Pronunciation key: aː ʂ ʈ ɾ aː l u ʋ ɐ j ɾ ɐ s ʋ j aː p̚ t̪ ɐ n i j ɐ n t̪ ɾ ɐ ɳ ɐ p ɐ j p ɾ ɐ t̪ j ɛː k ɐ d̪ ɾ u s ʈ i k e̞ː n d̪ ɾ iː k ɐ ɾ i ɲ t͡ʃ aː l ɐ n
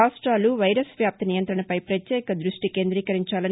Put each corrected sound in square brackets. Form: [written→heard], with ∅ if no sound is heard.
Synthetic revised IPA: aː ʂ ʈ ɾ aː l u ʋ ɐ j ɾ ɐ s ʋ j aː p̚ t̪ ɐ n i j ɐ n t̪ ɾ ɐ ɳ ɐ p ɐ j p ɾ ɐ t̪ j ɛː k ɐ d̪ ɾ u [s→ʂ] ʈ i k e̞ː n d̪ ɾ iː k ɐ ɾ i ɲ t͡ʃ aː l ɐ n